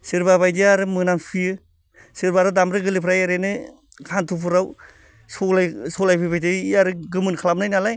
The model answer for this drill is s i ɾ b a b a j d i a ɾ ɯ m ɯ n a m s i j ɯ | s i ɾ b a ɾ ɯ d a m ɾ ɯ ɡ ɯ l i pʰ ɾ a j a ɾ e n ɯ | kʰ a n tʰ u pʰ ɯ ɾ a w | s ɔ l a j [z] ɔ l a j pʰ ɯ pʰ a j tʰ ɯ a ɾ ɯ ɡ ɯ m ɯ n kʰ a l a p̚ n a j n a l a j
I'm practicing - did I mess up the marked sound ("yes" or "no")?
yes